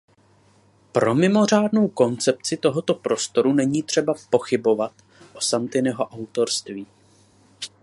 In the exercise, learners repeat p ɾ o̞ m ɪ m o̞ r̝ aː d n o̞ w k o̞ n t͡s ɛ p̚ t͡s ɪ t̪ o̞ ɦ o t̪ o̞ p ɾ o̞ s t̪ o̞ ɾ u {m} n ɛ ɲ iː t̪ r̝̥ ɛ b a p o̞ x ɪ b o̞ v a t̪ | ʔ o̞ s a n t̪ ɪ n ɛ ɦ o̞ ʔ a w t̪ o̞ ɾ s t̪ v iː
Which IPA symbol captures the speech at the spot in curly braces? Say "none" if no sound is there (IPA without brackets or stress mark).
none